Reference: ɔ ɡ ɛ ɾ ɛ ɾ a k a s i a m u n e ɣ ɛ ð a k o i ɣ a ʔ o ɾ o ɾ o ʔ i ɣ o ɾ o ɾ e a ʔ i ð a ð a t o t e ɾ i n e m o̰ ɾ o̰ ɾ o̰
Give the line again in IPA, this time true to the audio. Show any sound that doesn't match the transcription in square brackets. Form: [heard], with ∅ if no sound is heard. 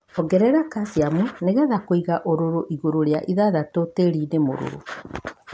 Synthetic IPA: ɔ ɡ ɛ ɾ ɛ ɾ a k a s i a m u n e ɣ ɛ ð a k o i ɣ a ʔ o ɾ o ɾ o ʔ i ɣ o ɾ o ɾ e a ʔ i ð a ð a t o t e ɾ i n e m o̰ ɾ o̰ ɾ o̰